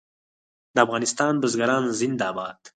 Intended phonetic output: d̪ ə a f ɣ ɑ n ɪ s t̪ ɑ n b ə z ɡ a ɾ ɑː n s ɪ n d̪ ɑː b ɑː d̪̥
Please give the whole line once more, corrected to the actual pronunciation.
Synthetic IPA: d̪ ə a f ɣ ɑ n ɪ s t̪ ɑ n b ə z ɡ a ɾ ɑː n z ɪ n d̪ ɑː b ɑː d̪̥